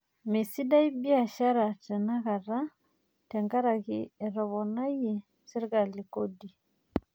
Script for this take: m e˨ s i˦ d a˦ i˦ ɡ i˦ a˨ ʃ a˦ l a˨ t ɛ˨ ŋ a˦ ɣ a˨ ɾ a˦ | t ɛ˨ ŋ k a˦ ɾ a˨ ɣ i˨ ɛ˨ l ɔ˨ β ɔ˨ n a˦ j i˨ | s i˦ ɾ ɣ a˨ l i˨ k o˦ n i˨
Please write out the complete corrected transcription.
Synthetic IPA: m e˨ s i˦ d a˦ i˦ b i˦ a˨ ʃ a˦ ɾ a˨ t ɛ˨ n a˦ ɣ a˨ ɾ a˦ | t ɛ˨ ŋ ɡ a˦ ɾ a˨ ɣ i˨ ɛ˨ ɾ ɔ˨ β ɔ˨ n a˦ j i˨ | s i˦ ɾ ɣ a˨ l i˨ k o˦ d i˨